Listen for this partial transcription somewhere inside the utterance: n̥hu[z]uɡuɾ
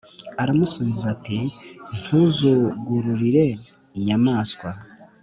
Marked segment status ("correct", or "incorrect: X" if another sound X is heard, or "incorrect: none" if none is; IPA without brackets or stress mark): correct